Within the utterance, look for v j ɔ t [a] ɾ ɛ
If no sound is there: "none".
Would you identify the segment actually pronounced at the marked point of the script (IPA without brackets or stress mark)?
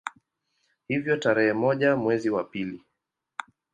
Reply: a